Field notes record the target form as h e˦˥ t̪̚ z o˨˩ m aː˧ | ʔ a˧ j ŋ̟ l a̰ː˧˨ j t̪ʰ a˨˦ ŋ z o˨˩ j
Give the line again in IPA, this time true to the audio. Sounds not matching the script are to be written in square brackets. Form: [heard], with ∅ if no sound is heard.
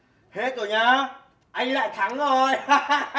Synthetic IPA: h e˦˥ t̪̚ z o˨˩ [ɲ] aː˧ | ʔ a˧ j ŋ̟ l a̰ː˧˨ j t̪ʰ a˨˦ ŋ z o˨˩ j